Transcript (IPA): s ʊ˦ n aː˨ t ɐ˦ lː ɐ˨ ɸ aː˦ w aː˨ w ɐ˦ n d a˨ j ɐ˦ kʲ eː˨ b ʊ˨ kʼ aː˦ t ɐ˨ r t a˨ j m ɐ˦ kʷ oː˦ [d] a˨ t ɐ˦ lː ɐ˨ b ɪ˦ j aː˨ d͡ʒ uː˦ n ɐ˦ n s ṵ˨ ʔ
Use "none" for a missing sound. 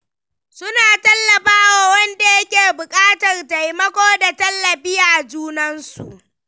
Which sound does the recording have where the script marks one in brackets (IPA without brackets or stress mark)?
d